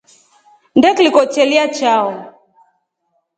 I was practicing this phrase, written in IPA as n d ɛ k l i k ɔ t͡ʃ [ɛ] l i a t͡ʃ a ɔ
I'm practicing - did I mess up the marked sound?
no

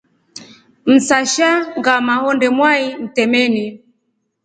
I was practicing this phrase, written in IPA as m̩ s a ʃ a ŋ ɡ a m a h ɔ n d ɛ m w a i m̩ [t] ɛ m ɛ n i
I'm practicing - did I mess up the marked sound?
no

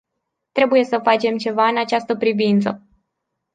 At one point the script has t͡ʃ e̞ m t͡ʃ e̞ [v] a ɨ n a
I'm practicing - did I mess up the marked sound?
no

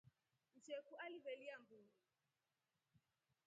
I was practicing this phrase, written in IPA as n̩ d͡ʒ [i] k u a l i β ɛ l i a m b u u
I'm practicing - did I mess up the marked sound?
yes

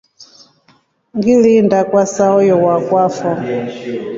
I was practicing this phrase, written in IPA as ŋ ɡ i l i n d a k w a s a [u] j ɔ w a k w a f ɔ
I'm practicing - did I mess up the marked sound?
yes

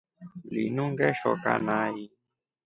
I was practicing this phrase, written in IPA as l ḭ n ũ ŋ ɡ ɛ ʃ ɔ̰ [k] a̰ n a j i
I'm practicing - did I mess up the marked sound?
no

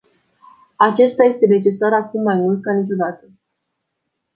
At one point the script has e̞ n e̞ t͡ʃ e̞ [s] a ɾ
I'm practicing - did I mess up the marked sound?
no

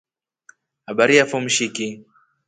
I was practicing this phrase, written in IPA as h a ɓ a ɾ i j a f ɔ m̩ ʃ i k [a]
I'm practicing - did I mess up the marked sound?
yes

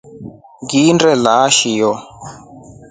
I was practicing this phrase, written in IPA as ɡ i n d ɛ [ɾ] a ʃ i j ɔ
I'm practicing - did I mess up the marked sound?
yes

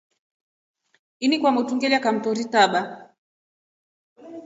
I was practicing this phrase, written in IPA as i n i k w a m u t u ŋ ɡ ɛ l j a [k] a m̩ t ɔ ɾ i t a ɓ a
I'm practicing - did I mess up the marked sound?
no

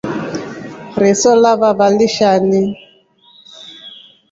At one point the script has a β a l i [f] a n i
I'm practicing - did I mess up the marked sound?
yes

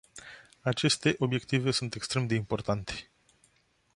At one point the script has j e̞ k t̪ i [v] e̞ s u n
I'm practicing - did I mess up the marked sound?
no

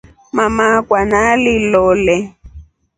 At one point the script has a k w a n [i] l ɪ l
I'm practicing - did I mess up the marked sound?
yes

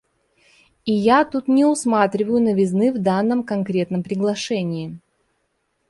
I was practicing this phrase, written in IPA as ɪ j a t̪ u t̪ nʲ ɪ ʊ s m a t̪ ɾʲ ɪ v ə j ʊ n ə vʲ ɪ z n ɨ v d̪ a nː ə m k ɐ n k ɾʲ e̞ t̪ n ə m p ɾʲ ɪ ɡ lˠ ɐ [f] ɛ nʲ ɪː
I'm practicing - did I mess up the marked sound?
yes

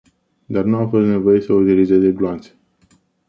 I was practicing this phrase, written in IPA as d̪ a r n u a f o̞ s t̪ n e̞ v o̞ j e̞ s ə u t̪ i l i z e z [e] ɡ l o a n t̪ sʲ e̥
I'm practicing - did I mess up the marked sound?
no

